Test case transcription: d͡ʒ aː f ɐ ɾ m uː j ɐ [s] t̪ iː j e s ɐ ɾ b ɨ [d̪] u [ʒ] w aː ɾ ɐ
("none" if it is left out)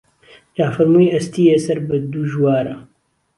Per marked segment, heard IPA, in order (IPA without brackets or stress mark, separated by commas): s, d̪, ʒ